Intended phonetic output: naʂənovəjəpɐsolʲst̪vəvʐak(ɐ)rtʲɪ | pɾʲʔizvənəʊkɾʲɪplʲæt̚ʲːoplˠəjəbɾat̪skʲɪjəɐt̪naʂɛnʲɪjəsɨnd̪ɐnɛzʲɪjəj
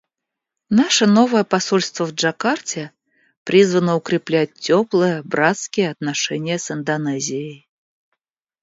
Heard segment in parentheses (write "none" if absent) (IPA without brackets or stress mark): a